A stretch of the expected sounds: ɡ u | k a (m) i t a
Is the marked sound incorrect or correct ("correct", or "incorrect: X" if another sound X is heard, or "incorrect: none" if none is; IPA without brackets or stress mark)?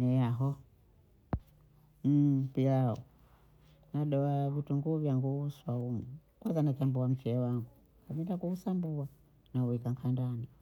correct